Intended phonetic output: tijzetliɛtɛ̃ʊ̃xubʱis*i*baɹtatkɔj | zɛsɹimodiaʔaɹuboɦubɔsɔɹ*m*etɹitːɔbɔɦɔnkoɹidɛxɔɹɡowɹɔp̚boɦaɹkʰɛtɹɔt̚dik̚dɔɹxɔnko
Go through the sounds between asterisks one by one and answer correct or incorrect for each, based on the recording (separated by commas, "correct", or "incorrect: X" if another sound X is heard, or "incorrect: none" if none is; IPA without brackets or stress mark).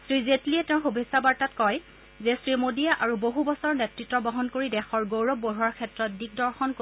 incorrect: a, incorrect: n